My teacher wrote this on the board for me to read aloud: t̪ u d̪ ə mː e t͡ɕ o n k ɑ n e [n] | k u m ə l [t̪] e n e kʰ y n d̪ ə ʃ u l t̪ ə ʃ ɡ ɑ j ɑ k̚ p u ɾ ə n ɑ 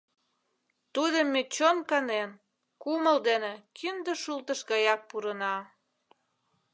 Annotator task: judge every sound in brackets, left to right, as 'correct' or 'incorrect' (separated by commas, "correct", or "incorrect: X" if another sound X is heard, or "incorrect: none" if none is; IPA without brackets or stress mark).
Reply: correct, incorrect: d̪